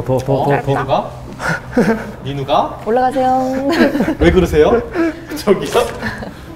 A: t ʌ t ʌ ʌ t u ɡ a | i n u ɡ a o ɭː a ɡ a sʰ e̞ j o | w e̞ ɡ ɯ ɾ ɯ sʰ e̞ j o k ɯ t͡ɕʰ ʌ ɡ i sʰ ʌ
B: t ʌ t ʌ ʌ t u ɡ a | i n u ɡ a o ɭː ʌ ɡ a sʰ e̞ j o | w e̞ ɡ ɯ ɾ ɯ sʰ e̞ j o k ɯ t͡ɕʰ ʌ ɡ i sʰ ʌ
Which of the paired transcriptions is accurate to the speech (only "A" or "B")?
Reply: A